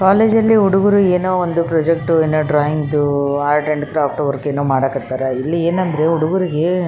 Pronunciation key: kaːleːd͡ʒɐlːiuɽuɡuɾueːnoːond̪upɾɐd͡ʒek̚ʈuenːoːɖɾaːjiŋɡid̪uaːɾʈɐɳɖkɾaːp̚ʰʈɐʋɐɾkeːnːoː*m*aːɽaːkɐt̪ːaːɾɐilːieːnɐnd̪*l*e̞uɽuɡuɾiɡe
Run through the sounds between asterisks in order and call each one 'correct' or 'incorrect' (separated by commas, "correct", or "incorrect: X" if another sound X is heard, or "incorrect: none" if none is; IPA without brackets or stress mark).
correct, incorrect: ɾ